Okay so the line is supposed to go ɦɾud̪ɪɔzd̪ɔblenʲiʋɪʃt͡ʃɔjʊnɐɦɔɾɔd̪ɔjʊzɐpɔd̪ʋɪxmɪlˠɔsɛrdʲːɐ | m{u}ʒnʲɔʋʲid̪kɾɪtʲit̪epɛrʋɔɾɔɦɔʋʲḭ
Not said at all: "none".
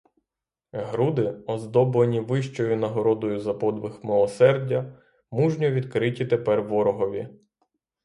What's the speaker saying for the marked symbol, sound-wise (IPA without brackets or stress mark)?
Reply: u